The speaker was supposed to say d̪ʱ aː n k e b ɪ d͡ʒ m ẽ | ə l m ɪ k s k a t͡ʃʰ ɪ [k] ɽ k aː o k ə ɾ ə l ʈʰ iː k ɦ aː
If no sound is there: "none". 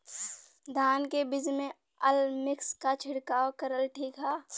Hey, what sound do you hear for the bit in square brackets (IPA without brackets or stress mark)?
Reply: none